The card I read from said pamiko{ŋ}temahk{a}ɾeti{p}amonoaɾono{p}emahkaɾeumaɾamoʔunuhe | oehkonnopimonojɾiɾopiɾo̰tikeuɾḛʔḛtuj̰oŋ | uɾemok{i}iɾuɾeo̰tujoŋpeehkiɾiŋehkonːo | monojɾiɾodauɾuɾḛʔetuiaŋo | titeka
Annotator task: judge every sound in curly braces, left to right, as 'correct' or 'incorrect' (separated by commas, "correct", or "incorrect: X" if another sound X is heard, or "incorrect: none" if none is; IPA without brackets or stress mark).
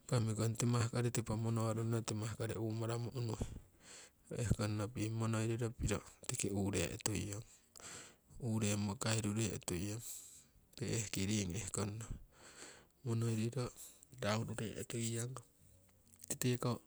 incorrect: n, correct, correct, incorrect: t, incorrect: a